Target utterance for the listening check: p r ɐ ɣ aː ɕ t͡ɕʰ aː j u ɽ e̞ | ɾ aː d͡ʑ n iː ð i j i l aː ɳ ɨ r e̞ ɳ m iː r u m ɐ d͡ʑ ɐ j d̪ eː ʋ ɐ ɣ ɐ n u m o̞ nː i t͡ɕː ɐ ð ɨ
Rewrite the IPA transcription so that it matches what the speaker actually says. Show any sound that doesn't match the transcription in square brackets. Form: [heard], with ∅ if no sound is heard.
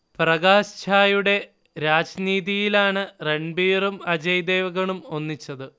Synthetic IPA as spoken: p r ɐ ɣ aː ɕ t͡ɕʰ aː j u ɽ e̞ | ɾ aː d͡ʑ n iː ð i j i l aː ɳ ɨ r e̞ ɳ [b] iː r u m ɐ d͡ʑ ɐ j d̪ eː ʋ ɐ ɣ ɐ [ɳ] u m o̞ nː i t͡ɕː ɐ ð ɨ